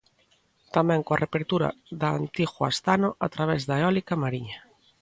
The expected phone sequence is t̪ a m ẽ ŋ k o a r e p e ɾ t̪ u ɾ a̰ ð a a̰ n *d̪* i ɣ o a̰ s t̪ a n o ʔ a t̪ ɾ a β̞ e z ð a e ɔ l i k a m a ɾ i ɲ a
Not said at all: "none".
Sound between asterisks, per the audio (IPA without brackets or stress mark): t̪